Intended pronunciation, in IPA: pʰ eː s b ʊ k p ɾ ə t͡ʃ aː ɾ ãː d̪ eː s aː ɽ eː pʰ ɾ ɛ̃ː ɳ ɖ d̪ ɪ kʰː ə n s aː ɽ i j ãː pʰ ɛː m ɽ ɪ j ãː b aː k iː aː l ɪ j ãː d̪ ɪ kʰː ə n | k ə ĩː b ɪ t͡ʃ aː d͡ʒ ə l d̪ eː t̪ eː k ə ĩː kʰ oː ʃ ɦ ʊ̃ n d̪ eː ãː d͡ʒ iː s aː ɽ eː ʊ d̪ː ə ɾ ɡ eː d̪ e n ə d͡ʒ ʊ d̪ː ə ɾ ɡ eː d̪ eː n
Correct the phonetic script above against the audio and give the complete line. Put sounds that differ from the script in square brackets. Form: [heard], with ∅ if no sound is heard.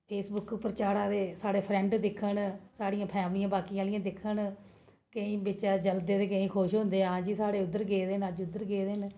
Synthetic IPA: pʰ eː s b ʊ k p ɾ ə t͡ʃ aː ɾ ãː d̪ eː s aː ɽ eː pʰ ɾ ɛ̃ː ɳ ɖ d̪ ɪ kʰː ə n s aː ɽ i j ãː pʰ ɛː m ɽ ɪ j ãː b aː k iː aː l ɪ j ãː d̪ ɪ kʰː ə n | k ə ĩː b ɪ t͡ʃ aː d͡ʒ ə l d̪ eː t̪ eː k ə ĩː kʰ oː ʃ ɦ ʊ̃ n d̪ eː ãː d͡ʒ iː s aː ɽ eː ʊ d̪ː ə ɾ ɡ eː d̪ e n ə d͡ʒ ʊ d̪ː ə ɾ ɡ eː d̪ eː n